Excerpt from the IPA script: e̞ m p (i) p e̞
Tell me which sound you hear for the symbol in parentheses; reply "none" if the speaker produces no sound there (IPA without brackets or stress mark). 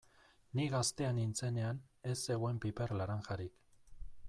i